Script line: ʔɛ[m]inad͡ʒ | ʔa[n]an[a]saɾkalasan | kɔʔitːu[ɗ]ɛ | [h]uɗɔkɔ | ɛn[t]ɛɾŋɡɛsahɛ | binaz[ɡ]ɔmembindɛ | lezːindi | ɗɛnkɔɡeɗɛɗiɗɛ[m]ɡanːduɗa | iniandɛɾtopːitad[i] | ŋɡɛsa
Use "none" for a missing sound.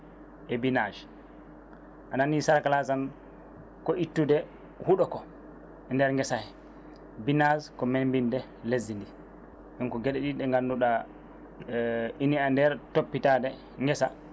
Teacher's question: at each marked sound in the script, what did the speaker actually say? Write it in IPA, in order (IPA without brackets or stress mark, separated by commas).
b, n, i, d, h, d, k, ŋ, ɛ